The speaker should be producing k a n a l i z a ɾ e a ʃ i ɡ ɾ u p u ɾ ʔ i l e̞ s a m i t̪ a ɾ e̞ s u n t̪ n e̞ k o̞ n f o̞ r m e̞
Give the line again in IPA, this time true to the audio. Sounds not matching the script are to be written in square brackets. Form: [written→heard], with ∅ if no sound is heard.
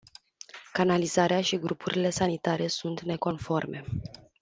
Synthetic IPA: k a n a l i z a ɾ e a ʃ i ɡ ɾ u p u ɾ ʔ i l e̞ s a [m→n] i t̪ a ɾ e̞ s u n t̪ n e̞ k o̞ n f o̞ r m e̞